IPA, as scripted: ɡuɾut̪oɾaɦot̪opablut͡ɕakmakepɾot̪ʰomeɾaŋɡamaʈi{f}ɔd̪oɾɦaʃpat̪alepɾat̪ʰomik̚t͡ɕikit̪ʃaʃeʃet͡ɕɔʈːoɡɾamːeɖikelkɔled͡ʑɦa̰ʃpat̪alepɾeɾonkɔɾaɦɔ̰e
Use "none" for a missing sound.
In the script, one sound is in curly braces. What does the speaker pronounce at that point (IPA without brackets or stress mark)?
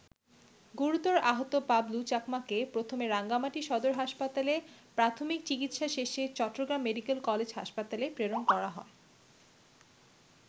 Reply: ʃ